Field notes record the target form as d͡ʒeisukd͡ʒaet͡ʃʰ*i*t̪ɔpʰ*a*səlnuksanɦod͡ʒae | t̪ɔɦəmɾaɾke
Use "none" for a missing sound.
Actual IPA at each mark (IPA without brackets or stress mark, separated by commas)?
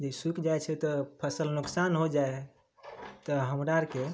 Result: ɛ, ə